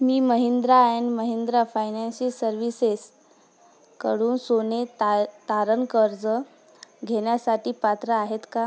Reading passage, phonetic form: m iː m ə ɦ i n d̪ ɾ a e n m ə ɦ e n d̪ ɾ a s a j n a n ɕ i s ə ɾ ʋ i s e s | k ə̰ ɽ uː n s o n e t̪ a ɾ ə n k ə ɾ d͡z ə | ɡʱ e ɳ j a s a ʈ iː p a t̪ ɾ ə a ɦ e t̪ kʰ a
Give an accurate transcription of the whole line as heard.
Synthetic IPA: m iː m ə ɦ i n d̪ ɾ a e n m ə ɦ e n d̪ ɾ a f a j n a n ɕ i s ə ɾ ʋ i s e s | k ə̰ ɽ uː n s o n e t̪ a ɾ ə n k ə ɾ d͡z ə | ɡʱ e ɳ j a s a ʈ iː p a t̪ ɾ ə a ɦ e t̪ k a